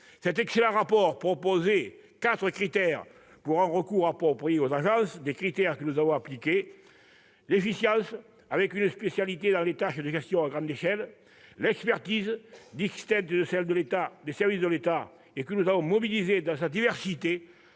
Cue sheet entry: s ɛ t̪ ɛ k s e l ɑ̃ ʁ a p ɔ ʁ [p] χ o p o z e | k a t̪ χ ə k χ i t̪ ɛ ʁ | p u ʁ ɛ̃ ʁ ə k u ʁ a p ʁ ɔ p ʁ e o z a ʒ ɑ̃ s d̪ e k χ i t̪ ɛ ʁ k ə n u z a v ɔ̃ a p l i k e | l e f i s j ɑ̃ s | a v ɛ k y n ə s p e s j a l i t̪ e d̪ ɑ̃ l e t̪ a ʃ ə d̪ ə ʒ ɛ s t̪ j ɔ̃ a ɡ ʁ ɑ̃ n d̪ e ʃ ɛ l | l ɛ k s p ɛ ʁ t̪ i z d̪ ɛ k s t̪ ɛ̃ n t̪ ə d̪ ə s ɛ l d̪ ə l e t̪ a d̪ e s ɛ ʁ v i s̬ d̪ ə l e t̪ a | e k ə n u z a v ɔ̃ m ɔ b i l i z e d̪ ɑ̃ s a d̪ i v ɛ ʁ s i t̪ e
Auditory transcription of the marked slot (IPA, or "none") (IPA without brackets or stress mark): p